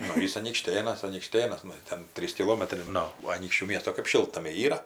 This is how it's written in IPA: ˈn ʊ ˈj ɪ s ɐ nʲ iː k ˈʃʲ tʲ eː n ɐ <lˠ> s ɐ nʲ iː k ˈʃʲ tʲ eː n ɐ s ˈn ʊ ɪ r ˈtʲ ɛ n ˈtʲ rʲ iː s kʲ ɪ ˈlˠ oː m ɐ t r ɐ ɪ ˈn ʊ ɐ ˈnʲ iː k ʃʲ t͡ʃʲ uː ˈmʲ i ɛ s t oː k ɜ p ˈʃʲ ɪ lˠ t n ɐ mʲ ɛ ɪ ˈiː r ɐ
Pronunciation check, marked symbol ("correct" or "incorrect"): incorrect